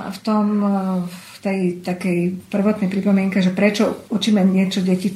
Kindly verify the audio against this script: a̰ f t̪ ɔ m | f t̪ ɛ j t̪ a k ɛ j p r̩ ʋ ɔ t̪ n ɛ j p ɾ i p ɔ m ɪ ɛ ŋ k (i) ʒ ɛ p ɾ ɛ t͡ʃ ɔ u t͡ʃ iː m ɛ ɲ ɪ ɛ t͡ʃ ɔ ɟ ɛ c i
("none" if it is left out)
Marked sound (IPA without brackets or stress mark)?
ɛ